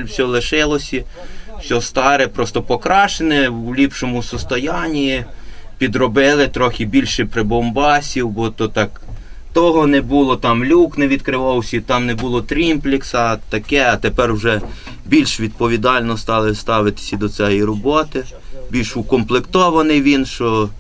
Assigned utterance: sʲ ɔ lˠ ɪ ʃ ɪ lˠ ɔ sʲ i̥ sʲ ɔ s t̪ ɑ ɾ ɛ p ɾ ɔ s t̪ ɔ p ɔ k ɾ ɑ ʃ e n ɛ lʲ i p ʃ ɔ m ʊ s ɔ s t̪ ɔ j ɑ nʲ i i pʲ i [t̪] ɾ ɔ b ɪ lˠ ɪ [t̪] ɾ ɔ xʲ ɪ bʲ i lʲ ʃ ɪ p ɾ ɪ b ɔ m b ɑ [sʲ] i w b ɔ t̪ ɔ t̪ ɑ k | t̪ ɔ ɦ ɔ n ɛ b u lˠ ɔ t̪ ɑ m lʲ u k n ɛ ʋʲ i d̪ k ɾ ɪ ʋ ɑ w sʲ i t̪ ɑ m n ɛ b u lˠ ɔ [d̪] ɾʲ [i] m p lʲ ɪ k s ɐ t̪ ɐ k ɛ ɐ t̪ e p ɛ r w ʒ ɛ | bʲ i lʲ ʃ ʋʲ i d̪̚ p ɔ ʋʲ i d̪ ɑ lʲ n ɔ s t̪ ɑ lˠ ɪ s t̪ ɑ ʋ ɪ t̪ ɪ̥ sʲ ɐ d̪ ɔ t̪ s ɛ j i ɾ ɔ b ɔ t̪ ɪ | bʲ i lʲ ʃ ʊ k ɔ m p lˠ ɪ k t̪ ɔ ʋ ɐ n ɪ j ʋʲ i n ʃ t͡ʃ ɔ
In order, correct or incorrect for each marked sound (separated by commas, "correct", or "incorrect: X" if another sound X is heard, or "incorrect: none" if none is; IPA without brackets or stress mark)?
incorrect: d̪, correct, correct, incorrect: t̪, correct